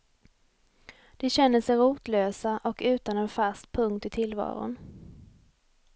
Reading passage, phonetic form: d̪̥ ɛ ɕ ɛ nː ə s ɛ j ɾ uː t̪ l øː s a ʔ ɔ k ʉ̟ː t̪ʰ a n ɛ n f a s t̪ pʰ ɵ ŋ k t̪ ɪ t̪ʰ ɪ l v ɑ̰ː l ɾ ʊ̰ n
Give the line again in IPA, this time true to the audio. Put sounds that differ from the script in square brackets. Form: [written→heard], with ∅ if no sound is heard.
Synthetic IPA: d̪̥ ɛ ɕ ɛ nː ə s ɛ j ɾ uː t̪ l øː s a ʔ ɔ k ʉ̟ː [t̪ʰ→t̪] a n ɛ n f a s t̪ pʰ ɵ ŋ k t̪ ɪ t̪ʰ ɪ l v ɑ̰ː [l→∅] ɾ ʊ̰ n